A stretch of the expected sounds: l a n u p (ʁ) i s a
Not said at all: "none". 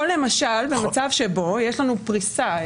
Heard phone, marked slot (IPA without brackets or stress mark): ʁ